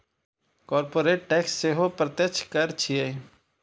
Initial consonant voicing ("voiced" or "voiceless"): voiceless